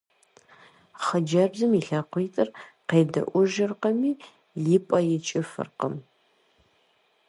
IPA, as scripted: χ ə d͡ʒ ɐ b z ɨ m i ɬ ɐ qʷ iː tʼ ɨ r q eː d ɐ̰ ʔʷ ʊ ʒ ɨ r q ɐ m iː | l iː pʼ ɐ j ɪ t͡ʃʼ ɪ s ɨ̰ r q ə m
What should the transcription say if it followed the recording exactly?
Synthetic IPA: χ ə d͡ʒ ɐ b z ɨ m i ɬ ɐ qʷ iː tʼ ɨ r q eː d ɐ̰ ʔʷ ʊ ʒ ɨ r q ɐ m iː | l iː pʼ ɐ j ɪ t͡ʃʼ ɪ f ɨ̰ r q ə m

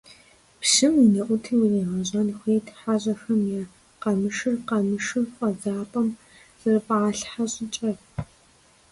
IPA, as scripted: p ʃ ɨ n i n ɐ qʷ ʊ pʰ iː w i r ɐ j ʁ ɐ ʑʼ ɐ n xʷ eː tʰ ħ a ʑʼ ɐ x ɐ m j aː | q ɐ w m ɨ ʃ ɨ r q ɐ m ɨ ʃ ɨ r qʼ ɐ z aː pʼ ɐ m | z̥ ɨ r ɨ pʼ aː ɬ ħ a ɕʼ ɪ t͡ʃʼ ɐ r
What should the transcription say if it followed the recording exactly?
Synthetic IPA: p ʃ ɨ m i n ɐ ʔʷ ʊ tʰ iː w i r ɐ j ʁ ɐ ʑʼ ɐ n xʷ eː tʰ ħ a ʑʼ ɐ x ɐ m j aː | q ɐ m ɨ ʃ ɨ r q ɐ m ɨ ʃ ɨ r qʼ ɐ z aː pʼ ɐ m | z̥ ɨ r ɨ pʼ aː ɬ ħ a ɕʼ ɪ t͡ʃʼ ɐ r

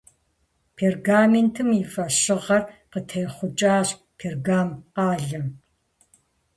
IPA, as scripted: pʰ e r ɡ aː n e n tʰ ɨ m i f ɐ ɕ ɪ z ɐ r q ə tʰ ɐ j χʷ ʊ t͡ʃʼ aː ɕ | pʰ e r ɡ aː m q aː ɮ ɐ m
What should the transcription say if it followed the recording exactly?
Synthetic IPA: pʰ e r ɡ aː m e n tʰ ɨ m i f ɐ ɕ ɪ ʁ ɐ r q ə tʰ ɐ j χʷ ʊ t͡ʃʼ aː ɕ | pʰ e r ɡ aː m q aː ɮ ɐ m

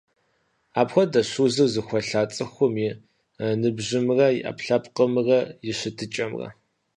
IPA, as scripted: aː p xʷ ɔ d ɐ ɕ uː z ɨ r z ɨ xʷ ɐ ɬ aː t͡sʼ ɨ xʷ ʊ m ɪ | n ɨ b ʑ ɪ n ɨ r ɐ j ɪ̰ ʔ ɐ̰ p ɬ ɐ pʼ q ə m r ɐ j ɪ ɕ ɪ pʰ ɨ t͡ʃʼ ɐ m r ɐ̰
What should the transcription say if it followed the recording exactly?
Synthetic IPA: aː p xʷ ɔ d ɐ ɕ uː z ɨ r z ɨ xʷ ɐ ɬ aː t͡sʼ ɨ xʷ ʊ m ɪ | n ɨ b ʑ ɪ m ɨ r ɐ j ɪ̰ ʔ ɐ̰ p ɬ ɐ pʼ q ə m r ɐ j ɪ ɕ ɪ tʰ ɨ t͡ʃʼ ɐ m r ɐ̰

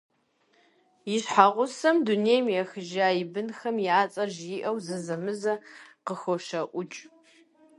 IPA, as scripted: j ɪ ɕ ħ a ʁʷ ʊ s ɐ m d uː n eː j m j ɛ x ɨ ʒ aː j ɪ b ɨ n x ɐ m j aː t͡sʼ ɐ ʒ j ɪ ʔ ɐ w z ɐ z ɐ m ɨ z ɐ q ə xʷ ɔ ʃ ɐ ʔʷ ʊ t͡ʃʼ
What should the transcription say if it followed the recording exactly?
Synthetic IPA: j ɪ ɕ ħ a ʁʷ ʊ s ɐ m d u n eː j m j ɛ x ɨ ʒ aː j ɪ b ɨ n x ɐ m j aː t͡sʼ ɐ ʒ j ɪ ʔ ɐ w z ɐ z ɐ m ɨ z ɐ q ə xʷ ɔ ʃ ɐ ʔʷ ʊ t͡ʃʼ

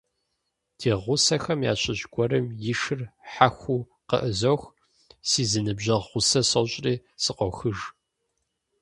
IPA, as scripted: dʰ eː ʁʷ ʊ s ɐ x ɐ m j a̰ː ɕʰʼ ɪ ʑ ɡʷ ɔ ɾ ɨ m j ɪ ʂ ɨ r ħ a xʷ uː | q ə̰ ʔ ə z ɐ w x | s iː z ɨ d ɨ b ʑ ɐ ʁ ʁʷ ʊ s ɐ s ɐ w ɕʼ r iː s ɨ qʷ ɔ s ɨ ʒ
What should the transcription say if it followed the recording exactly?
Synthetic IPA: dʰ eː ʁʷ ʊ s ɐ x ɐ m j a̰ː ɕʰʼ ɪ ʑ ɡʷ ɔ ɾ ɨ m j ɪ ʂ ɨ r ħ a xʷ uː | q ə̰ ʔ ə z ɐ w x | s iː z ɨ n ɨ b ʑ ɐ ʁ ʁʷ ʊ s ɐ s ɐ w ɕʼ r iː s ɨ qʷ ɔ x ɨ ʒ

